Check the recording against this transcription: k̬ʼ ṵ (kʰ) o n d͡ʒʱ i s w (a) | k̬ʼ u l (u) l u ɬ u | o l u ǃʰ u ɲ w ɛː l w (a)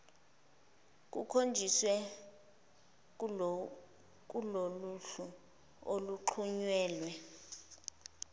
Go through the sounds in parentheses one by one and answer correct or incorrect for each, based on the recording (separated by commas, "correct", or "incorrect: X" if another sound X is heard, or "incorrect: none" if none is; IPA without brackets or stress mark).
correct, incorrect: ɛ, incorrect: o, incorrect: ɛ